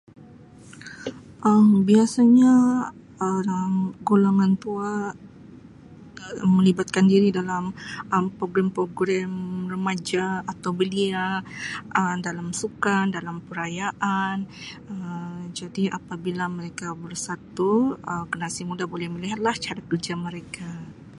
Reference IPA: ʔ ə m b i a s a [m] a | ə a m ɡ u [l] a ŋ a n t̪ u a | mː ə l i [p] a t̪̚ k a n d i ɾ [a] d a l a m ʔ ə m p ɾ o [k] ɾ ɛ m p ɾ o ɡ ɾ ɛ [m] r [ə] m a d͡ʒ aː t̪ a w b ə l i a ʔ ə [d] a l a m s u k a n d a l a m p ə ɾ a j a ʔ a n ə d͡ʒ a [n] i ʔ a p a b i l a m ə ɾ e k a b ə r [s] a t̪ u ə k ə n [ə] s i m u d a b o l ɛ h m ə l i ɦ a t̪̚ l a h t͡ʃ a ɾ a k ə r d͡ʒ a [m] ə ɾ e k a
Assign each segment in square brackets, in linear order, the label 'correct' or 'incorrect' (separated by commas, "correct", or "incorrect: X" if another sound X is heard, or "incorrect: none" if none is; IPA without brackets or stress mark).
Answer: incorrect: ɲ, correct, incorrect: b, incorrect: i, incorrect: ɡ, correct, correct, correct, incorrect: d, correct, incorrect: a, correct